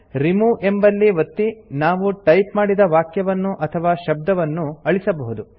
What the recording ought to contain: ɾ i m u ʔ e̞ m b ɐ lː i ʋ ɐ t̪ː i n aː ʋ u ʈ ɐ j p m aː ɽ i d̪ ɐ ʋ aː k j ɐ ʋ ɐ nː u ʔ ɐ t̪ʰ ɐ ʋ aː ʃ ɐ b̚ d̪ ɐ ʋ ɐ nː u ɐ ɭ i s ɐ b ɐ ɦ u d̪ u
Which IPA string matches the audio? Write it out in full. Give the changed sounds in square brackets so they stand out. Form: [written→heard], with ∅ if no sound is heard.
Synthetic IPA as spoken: ɾ i m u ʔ e̞ m b ɐ lː i ʋ ɐ t̪ː i n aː ʋ u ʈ ɐ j p m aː ɽ i d̪ ɐ ʋ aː k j ɐ ʋ ɐ nː u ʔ ɐ t̪ʰ ɐ ʋ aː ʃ ɐ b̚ d̪ ɐ ʋ ɐ nː u ɐ ɭ i s ɐ b ɐ ɦ u d̪ u